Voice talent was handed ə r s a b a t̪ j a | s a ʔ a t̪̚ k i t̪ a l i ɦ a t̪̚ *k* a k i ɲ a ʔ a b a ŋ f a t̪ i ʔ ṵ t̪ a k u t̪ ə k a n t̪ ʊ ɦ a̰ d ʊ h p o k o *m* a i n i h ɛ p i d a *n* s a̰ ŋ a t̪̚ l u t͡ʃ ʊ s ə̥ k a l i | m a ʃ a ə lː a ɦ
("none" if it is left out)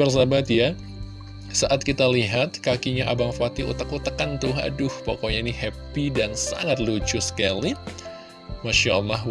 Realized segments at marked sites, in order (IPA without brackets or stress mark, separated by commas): k, ɲ, n